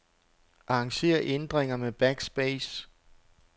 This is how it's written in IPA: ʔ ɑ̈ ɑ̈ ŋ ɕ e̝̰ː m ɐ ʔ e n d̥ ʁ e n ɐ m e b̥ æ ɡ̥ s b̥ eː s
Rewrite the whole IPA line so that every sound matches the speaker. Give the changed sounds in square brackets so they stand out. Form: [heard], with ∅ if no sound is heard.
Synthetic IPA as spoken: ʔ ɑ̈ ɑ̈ ŋ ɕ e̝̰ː [∅] ɐ ʔ e n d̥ ʁ e [ŋ] ɐ m e b̥ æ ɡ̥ s b̥ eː s